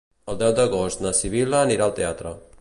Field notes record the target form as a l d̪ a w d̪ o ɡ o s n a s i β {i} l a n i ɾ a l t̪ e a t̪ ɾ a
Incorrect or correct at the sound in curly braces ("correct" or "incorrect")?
correct